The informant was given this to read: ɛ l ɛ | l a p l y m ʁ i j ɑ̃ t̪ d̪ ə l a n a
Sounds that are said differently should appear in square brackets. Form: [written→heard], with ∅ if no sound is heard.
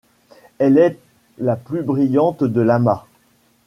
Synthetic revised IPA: ɛ l ɛ | l a p l y [m→b] ʁ i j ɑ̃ t̪ d̪ ə l a [n→m] a

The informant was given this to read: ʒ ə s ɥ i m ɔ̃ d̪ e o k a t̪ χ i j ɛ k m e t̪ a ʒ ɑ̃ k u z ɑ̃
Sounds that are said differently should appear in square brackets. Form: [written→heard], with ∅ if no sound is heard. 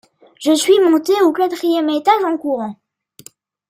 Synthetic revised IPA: ʒ ə s ɥ i m ɔ̃ [d̪→t̪] e o k a t̪ χ i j ɛ [k→∅] m e t̪ a ʒ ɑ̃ k u [z→ʁ] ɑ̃

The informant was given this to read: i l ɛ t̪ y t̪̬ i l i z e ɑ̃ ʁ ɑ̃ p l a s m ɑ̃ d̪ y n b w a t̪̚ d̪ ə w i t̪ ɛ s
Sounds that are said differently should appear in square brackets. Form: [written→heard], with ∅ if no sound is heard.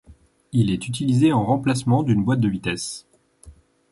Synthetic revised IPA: i l ɛ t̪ y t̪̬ i l i z e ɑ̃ ʁ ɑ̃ p l a s m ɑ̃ d̪ y n b w a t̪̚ d̪ ə [w→v] i t̪ ɛ s

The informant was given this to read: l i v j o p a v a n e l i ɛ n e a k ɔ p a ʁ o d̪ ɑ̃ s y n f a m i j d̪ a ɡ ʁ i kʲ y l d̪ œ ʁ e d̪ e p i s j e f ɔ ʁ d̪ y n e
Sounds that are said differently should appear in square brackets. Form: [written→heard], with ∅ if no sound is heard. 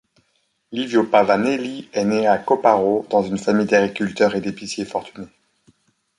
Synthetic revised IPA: l i v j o p a v a n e l i ɛ n e a k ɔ p a ʁ o d̪ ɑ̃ [s→z] y n f a m i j d̪ a ɡ ʁ i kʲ y l [d̪→t̪] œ ʁ e d̪ e p i s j e f ɔ ʁ [d̪→t̪] y n e

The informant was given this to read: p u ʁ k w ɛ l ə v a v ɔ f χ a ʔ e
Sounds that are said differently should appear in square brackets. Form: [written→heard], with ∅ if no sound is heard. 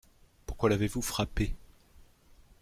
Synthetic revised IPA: p u ʁ k w [ɛ→a] l [ə→a] v [a→e] v [ɔ→u] f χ a [ʔ→p] e

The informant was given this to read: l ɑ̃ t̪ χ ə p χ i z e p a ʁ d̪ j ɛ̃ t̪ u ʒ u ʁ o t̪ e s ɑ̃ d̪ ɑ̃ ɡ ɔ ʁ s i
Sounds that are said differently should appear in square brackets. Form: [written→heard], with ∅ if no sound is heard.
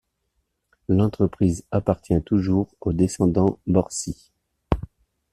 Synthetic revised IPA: l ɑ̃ t̪ χ ə p χ i z [e→a] p a ʁ [d̪→t̪] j ɛ̃ t̪ u ʒ u ʁ o [t̪→d̪] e s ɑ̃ d̪ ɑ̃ [ɡ→b] ɔ ʁ s i

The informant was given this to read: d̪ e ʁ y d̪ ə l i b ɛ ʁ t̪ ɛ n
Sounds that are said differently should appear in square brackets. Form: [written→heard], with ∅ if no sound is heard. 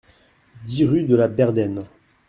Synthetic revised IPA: d̪ [e→i] ʁ y d̪ ə l [i→a] b ɛ ʁ [t̪→d̪] ɛ n

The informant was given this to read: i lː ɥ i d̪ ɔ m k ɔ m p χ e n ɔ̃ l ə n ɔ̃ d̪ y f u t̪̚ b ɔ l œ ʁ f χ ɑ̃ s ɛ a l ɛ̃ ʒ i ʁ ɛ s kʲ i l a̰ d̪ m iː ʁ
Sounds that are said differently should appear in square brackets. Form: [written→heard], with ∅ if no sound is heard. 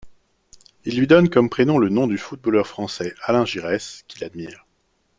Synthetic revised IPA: i lː ɥ i d̪ ɔ [m→n] k ɔ m p χ e n ɔ̃ l ə n ɔ̃ d̪ y f u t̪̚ b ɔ l œ ʁ f χ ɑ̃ s ɛ a l ɛ̃ ʒ i ʁ ɛ s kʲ i l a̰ d̪ m iː ʁ

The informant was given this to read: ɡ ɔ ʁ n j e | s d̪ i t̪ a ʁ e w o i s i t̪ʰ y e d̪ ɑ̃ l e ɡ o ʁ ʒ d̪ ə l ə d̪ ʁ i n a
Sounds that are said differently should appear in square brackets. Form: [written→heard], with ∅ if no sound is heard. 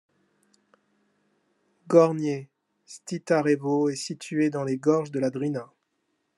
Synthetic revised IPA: ɡ ɔ ʁ n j e | s [d̪→t̪] i t̪ a ʁ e [w→v] o [i→ɛ] s i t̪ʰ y e d̪ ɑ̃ l e ɡ [o→ɔ] ʁ ʒ d̪ ə l [ə→a] d̪ ʁ i n a

